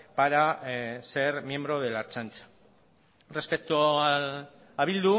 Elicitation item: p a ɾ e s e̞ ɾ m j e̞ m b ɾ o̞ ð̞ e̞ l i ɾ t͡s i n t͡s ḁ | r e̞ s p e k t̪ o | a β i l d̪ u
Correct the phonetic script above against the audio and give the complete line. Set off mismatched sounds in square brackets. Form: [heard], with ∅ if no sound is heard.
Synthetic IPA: p a ɾ [a] s e̞ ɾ m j e̞ m b ɾ o̞ ð̞ e̞ l [a] ɾ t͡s [a] n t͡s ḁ | r e̞ s p e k t̪ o | a β i l d̪ u